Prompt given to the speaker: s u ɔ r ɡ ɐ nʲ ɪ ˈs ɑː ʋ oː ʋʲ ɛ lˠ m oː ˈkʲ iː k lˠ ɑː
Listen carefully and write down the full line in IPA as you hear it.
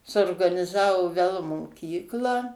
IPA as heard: s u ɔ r ɡ ɐ nʲ ɪ ˈz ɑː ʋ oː ʋʲ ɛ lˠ m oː ˈkʲ iː k lˠ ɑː